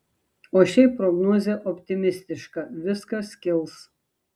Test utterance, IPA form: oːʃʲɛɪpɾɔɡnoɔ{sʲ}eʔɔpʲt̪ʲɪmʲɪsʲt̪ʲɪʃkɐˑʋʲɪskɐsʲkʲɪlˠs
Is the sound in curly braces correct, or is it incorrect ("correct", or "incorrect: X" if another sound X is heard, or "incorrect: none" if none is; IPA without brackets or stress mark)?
incorrect: zʲ